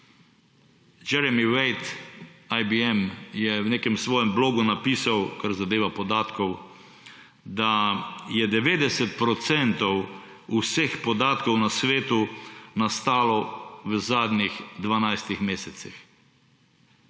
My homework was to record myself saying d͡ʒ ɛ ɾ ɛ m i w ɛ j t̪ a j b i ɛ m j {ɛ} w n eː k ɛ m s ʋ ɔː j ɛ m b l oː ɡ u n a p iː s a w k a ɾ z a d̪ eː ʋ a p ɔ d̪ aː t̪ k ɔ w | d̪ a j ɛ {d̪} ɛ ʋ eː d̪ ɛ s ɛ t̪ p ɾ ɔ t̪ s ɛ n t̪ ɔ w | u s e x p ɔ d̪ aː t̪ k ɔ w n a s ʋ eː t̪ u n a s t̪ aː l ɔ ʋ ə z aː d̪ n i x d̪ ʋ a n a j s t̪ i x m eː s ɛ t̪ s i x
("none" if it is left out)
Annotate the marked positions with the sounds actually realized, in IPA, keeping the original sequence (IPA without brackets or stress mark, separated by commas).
ɛ, d̪